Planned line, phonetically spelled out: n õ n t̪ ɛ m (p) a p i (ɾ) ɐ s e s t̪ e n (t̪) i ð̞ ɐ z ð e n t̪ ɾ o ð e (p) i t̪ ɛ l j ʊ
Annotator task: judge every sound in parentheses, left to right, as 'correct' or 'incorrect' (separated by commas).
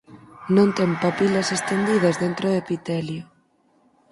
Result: correct, incorrect, incorrect, correct